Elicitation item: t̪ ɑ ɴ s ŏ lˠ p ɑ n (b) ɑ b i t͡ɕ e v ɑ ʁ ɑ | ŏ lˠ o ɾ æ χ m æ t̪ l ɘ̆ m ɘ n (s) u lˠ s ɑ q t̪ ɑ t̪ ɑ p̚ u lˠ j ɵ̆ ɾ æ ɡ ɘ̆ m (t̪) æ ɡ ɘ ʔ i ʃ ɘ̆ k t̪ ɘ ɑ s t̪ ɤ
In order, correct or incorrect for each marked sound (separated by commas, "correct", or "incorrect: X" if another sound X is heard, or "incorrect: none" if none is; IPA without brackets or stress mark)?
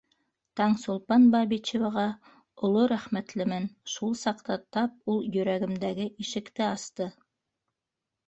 correct, incorrect: ʃ, incorrect: d̪